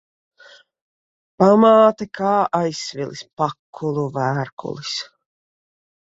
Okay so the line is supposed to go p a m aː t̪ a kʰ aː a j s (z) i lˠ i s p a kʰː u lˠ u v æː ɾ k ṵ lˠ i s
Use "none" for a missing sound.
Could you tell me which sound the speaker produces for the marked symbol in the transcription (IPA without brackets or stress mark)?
v